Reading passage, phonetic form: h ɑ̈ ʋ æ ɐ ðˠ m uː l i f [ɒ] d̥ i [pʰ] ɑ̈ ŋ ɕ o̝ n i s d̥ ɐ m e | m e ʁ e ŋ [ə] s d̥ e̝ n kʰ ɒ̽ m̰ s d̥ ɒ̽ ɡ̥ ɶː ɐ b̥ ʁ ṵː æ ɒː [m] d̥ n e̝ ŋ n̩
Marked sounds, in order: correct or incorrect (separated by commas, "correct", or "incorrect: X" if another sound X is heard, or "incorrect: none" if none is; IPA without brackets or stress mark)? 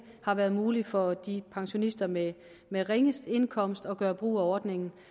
correct, correct, correct, incorrect: none